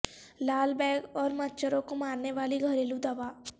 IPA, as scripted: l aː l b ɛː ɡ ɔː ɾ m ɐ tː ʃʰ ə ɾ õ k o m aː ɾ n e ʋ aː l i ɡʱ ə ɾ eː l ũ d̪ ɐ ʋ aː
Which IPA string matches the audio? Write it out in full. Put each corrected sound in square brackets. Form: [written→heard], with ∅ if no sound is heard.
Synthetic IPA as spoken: l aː l b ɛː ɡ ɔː ɾ m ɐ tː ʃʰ ə ɾ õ k o m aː ɾ n e ʋ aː l i ɡʱ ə ɾ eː l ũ d̪ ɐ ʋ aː